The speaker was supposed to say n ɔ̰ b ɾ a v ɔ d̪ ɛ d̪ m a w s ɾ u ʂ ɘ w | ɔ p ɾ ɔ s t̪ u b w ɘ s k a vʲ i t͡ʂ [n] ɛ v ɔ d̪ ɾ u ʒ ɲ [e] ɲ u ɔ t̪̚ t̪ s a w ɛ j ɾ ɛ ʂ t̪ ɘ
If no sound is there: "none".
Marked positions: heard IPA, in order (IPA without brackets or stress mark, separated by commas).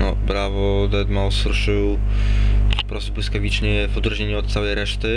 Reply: ɲ, e